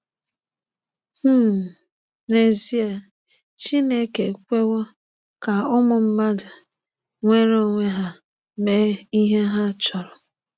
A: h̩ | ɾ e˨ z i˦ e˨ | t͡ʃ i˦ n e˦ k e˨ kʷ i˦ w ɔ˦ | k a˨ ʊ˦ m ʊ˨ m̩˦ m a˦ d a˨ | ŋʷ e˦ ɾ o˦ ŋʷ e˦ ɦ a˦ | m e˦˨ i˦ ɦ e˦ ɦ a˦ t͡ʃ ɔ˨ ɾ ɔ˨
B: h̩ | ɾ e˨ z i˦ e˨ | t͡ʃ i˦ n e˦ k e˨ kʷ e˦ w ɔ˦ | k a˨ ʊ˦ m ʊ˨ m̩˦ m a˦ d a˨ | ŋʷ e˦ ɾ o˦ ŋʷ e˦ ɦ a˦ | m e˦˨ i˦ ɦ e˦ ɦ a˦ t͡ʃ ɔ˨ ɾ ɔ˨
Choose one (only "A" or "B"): B